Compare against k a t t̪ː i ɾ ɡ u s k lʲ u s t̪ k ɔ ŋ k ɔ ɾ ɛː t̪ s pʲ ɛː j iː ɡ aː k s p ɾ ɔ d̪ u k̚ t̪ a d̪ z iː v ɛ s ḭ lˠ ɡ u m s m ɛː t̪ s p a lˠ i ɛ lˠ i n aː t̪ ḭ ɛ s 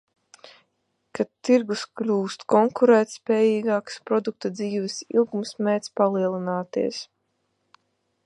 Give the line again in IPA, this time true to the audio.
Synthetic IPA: k a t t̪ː i ɾ ɡ u s k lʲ uː s t̪ k ɔ ŋ k u ɾ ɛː t̪ s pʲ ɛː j iː ɡ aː k s p ɾ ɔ d̪ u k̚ t̪ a d̪ z iː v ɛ s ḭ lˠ ɡ u m s m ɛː t̪ s p a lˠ i ɛ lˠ i n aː t̪ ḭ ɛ s